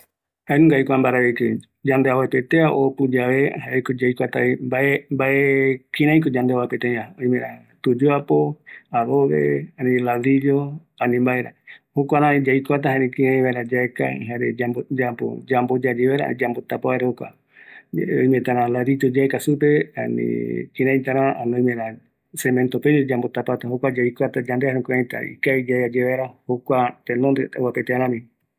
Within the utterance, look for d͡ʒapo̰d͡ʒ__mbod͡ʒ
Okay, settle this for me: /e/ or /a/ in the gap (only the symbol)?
a